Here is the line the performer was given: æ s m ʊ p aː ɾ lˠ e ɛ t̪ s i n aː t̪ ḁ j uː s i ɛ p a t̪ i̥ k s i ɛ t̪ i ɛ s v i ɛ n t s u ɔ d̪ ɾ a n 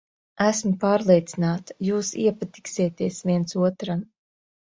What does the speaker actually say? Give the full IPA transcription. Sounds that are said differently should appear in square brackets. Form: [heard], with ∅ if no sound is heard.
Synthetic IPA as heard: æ s m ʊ p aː ɾ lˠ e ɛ t̪ s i n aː t̪ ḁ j uː s i ɛ p a t̪ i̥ k s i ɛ t̪ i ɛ s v i ɛ n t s u ɔ [t̪] ɾ a n

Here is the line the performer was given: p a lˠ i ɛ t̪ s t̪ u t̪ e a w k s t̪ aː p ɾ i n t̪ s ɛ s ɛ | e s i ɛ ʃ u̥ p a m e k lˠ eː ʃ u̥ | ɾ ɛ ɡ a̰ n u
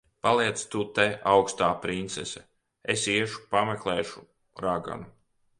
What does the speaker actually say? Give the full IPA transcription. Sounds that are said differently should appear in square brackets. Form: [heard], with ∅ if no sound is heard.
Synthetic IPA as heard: p a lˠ i ɛ t̪ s t̪ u t̪ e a w k s t̪ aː p ɾ i n t̪ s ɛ s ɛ | e s i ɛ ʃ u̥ p a m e k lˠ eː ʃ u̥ | ɾ [a] ɡ a̰ n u

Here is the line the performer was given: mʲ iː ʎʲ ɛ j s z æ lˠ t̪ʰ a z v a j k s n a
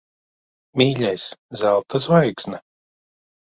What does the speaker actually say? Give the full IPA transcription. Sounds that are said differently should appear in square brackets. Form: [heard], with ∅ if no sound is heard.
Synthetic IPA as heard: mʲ iː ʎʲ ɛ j s z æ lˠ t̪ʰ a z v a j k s n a

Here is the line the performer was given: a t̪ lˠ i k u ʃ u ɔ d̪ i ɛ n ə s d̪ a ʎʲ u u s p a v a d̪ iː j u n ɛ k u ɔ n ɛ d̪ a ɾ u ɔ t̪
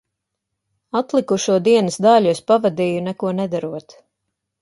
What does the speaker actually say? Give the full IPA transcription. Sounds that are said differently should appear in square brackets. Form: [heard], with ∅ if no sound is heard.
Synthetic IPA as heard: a t̪ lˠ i k u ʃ u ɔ d̪ i ɛ n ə s d̪ a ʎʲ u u s p a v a d̪ iː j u n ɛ k u ɔ n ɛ d̪ a ɾ u ɔ t̪

